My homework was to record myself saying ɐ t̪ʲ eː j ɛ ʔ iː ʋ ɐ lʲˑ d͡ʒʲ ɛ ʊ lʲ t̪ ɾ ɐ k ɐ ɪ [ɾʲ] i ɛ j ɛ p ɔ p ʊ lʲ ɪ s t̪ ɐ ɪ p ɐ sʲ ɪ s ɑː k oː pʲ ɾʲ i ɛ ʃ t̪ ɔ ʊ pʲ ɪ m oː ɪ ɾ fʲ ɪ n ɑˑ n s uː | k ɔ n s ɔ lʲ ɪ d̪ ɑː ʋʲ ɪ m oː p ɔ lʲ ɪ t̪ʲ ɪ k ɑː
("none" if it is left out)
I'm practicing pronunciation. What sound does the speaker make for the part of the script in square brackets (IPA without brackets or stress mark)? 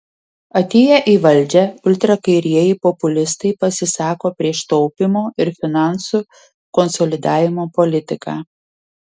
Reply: ɾʲ